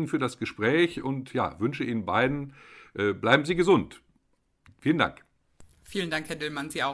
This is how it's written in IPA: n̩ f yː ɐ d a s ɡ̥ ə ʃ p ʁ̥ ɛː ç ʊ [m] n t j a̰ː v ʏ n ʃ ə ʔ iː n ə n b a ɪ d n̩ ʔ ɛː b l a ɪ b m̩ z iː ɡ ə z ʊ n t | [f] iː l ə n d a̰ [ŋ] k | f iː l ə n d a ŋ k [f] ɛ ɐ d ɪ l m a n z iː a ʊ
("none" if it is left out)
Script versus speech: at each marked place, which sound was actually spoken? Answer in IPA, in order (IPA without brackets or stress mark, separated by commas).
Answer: none, f, ŋ, h